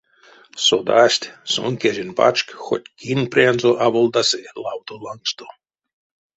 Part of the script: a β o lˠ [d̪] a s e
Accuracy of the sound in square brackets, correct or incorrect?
correct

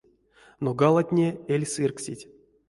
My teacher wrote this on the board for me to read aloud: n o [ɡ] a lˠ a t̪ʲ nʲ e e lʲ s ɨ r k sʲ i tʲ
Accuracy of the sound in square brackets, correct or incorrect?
correct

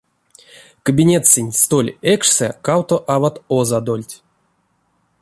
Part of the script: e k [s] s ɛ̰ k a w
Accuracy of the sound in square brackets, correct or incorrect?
incorrect: ʂ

